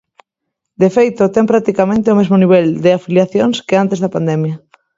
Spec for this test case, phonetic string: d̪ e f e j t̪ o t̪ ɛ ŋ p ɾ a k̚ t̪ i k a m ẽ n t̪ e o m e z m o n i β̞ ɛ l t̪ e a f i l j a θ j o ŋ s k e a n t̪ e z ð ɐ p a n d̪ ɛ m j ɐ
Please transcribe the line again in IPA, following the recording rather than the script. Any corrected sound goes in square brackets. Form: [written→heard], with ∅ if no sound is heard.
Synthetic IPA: d̪ e f e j t̪ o t̪ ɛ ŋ p ɾ a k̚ t̪ i k a m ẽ n t̪ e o m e z m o n i β̞ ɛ l [t̪→d̪] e a f i l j a θ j o ŋ s k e a n t̪ e z ð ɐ p a n d̪ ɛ m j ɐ